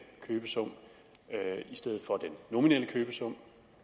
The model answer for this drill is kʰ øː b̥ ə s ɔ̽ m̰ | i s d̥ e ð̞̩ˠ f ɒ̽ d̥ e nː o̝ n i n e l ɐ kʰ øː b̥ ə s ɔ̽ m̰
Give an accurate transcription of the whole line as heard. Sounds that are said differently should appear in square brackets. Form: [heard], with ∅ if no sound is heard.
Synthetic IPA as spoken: kʰ øː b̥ ə s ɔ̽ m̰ | i s d̥ e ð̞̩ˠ f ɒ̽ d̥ e nː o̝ [m] i n e l [ə] kʰ øː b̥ ə s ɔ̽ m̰